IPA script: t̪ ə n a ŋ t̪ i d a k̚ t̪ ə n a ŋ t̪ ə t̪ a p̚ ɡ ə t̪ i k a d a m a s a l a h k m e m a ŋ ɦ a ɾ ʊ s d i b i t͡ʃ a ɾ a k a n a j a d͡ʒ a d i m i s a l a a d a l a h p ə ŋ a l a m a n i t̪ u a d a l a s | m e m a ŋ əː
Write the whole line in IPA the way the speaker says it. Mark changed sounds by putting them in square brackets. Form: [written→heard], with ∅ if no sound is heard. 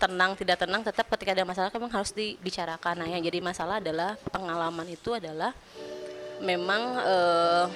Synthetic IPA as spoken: t̪ ə n a ŋ t̪ i d a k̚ t̪ ə n a ŋ t̪ ə t̪ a p̚ [ɡ→k] ə t̪ i k a d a m a s a l a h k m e m a ŋ ɦ a ɾ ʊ s d i b i t͡ʃ a ɾ a k a n a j a d͡ʒ a d i m [i→a] s a l a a d a l a h p ə ŋ a l a m a n i t̪ u a d a l a [s→h] | m e m a ŋ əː